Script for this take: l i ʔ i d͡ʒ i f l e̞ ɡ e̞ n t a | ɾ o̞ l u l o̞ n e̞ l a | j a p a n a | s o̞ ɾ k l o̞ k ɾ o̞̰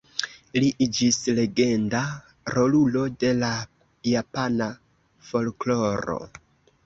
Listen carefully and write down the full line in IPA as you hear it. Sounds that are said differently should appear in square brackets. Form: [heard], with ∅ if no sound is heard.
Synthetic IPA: l i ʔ i d͡ʒ i [s] l e̞ ɡ e̞ n [d] a | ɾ o̞ l u l o̞ [d] e̞ l a | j a p a n a | [f] o̞ [l] k l o̞ [∅] ɾ o̞̰